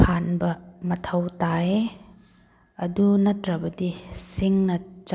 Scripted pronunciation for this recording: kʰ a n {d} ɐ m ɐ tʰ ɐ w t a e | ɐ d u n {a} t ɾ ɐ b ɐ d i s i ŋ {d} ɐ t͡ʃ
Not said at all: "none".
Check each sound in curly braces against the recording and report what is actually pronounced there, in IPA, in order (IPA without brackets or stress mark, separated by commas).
b, ɐ, n